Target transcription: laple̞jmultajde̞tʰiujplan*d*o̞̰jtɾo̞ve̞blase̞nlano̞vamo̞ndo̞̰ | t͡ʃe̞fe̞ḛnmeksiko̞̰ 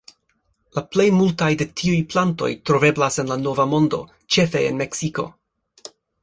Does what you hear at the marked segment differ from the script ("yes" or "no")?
yes